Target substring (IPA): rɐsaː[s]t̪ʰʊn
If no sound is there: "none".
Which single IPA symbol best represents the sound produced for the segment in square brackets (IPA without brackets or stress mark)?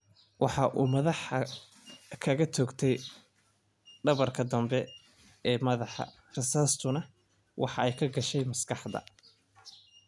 s